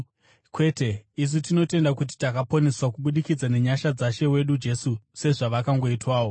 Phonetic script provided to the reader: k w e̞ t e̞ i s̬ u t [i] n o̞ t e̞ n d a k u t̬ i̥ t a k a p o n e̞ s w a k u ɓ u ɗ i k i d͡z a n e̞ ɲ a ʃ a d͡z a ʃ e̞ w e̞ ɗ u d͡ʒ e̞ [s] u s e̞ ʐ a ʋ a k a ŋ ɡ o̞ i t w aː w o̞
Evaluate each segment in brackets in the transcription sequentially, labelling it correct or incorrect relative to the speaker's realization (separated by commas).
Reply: correct, correct